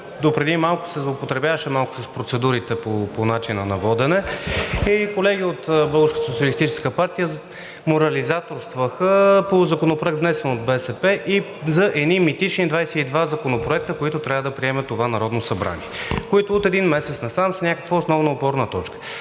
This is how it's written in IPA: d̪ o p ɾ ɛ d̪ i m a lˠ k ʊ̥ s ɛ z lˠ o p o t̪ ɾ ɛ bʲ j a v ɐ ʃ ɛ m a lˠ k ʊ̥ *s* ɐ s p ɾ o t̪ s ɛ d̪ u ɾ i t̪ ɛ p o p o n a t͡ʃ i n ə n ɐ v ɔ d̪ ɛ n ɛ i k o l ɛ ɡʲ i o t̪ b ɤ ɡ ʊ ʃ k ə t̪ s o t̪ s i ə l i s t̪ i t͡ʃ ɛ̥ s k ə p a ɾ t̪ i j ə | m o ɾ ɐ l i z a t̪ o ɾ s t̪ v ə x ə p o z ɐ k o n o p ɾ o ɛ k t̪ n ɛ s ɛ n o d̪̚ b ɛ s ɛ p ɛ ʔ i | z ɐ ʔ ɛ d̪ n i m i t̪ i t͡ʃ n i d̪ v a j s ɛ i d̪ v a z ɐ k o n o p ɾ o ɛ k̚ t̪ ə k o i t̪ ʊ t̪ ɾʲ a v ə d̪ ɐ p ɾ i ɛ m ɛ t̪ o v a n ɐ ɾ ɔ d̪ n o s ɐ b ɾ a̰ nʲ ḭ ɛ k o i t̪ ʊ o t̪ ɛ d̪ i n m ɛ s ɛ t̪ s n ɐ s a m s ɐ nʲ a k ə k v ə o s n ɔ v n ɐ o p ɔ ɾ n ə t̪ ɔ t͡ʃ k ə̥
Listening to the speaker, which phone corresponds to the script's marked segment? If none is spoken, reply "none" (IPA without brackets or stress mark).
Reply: s